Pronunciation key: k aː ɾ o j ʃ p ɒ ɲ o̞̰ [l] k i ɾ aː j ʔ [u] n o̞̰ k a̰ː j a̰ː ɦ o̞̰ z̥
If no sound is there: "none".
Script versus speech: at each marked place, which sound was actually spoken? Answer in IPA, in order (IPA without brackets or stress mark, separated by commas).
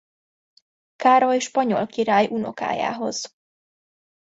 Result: l, u